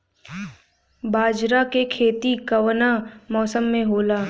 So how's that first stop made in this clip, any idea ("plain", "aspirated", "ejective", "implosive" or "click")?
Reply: plain